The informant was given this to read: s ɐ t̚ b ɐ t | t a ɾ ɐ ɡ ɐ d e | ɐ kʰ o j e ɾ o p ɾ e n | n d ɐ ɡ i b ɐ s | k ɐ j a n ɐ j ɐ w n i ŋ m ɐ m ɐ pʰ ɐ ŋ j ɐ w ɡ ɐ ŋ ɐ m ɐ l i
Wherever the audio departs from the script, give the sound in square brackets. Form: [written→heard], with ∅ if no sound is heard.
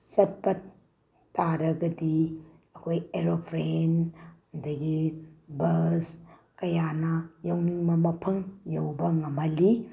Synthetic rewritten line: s ɐ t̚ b ɐ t | t a ɾ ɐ ɡ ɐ d [e→i] | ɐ kʰ o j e ɾ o [p→pʰ] ɾ e n | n d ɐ ɡ i b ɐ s | k ɐ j a n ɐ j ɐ w n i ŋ m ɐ m ɐ pʰ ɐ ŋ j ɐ w [ɡ→b] ɐ ŋ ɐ m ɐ l i